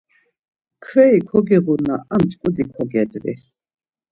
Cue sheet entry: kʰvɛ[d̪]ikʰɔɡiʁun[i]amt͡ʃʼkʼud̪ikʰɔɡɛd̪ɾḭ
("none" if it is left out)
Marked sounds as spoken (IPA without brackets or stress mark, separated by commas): none, a